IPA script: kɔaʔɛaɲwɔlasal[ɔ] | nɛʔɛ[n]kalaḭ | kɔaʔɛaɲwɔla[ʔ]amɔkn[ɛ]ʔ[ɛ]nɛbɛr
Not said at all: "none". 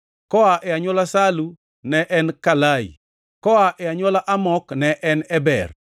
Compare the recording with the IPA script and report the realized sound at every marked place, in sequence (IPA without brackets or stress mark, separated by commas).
u, n, ʔ, ɛ, ɛ